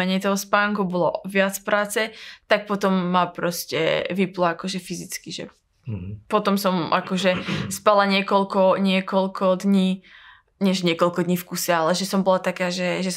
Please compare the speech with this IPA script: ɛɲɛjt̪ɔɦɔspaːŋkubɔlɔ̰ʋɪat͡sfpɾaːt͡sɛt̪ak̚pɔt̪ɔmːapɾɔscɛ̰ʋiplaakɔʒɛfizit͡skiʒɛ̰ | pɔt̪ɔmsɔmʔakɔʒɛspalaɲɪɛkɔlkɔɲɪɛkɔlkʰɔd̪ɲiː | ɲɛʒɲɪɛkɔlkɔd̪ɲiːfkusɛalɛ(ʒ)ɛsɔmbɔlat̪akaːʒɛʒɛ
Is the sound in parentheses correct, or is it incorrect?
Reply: correct